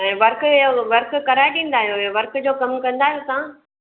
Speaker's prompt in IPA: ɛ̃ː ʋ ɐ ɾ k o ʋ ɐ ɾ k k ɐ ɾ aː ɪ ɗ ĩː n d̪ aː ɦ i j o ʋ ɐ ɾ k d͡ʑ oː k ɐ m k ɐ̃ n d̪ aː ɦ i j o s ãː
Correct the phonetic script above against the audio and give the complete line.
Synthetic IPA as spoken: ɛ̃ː ʋ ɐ ɾ k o ʋ ɐ ɾ k k ɐ ɾ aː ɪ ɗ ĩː n d̪ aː ɦ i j o ʋ ɐ ɾ k d͡ʑ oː k ɐ m k ɐ̃ n d̪ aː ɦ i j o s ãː